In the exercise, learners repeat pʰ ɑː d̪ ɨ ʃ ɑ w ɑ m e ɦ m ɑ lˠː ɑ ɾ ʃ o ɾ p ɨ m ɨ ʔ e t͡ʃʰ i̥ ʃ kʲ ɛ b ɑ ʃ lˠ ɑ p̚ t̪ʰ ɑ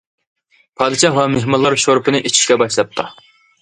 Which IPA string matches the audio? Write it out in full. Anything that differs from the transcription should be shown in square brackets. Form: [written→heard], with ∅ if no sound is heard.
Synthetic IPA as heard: pʰ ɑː d̪ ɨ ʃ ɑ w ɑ m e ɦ m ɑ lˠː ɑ ɾ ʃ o ɾ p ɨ [m→n] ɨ ʔ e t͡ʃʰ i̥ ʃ kʲ ɛ b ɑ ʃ lˠ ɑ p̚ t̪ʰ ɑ